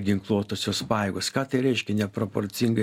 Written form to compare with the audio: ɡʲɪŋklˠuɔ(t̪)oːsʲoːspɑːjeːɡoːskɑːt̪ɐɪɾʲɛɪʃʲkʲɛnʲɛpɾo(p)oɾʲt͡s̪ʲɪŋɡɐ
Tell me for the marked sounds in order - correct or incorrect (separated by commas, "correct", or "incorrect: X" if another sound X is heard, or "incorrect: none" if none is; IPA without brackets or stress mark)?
correct, correct